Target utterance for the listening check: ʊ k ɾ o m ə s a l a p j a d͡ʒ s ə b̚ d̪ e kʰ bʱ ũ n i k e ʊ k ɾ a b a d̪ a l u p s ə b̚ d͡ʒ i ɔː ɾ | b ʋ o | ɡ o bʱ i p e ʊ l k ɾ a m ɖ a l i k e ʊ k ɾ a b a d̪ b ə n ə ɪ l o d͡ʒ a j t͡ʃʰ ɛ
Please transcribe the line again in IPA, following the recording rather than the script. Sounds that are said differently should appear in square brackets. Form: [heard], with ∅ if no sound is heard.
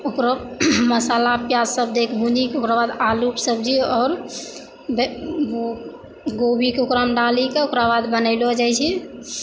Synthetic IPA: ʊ k ɾ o m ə s a l a p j a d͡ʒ s ə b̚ d̪ e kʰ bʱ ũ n i k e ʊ k ɾ a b a d̪ a l u p s ə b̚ d͡ʒ i ɔː ɾ | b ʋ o | ɡ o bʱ i [k] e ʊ [∅] k ɾ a m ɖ a l i k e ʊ k ɾ a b a d̪ b ə n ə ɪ l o d͡ʒ a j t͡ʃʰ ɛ